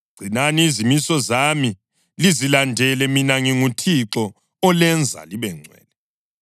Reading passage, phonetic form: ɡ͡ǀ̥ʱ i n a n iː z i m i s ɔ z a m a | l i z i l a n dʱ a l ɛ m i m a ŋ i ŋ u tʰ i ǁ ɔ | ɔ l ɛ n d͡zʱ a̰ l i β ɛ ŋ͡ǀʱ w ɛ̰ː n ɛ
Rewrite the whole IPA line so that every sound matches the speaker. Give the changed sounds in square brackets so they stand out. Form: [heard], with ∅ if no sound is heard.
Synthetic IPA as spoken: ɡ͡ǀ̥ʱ i n a n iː z i m i s ɔ z a m [i] | l i z i l a n dʱ [ɛ] l ɛ m i [n] a ŋ i ŋ u tʰ i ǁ ɔ | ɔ l ɛ n d͡zʱ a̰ l i β ɛ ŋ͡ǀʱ w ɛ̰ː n ɛ